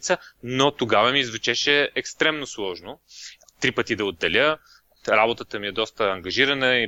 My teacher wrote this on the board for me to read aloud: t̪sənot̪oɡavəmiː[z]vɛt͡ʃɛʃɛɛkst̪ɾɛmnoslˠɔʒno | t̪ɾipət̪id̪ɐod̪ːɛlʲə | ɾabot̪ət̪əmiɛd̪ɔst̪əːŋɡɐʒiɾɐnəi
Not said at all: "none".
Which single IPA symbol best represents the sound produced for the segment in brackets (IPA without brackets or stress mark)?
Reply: z